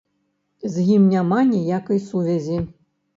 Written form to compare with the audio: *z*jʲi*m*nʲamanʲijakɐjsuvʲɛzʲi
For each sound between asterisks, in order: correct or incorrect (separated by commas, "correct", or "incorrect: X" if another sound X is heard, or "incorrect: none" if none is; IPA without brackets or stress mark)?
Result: correct, correct